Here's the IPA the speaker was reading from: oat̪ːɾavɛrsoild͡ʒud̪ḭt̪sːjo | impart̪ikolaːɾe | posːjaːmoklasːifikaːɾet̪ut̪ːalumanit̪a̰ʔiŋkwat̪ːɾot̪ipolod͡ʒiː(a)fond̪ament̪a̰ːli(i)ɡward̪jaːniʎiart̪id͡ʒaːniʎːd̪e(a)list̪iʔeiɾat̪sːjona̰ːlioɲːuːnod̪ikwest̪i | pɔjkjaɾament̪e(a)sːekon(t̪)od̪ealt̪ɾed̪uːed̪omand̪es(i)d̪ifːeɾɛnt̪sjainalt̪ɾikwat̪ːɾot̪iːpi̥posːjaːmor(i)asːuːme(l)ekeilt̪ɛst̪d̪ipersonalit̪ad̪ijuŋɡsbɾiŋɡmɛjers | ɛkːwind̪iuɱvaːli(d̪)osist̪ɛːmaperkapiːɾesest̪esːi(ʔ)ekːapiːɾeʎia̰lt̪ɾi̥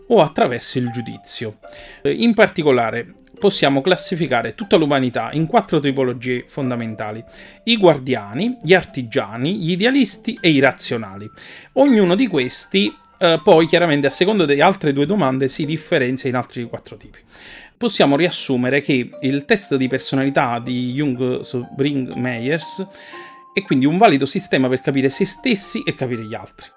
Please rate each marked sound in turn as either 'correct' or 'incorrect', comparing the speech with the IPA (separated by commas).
incorrect, correct, correct, correct, incorrect, correct, correct, incorrect, correct, correct